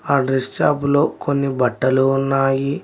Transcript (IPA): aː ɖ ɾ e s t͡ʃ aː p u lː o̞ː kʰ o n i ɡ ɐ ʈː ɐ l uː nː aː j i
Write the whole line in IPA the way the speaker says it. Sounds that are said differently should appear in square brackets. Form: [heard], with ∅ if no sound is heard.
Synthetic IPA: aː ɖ ɾ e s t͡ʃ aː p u [l] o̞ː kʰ o [nː] i [b] ɐ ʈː ɐ l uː nː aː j i